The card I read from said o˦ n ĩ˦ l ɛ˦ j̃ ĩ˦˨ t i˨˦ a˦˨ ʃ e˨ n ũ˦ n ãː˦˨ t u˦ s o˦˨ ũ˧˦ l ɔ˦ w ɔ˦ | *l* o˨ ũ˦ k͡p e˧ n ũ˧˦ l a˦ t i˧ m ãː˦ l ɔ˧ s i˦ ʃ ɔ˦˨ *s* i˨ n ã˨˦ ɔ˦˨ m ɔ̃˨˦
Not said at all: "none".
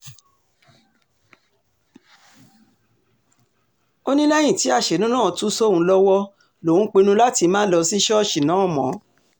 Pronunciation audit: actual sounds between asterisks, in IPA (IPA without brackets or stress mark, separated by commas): l, ʃ